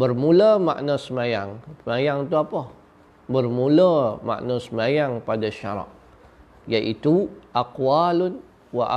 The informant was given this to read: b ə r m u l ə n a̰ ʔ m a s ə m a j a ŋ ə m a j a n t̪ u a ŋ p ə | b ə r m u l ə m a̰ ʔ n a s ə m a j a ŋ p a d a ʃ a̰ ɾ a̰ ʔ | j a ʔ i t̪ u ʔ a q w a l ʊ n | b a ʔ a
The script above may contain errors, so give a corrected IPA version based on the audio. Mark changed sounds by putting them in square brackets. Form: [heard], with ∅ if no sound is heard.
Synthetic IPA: b ə r m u l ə [m] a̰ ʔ [n] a s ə m a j a ŋ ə m a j a [ŋ] t̪ u a [∅] p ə | b ə r m u l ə m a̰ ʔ n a s ə m a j a ŋ p a d a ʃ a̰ ɾ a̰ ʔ | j a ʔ i t̪ u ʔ a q w a l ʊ n | [w] a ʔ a